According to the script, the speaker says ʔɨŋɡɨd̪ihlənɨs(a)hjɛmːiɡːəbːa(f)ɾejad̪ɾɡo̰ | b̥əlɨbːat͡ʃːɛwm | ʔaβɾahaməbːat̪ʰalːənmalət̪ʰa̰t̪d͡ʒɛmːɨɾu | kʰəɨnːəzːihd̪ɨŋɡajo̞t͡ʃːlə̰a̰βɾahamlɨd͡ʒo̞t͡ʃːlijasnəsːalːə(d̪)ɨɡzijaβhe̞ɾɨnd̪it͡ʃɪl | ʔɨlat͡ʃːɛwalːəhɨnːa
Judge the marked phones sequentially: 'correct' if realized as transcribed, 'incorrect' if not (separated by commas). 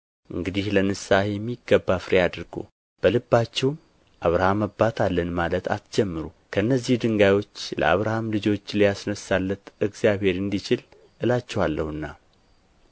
correct, correct, incorrect